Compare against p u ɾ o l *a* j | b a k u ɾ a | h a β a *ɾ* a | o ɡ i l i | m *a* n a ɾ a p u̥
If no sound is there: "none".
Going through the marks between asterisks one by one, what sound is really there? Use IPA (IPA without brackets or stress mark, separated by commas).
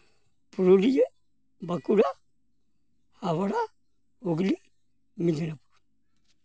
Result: i, ɾ, i